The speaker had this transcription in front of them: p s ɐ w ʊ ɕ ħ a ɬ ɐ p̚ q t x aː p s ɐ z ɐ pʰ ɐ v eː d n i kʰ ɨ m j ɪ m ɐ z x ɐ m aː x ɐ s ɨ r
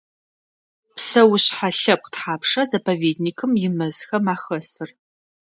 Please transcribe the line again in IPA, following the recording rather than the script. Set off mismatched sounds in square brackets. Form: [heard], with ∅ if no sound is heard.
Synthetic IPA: p s ɐ w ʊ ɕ ħ a ɬ ɐ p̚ q t [ħ] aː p [ʂ] ɐ z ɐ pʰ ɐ v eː d n i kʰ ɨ m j ɪ m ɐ z x ɐ m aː x ɐ s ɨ r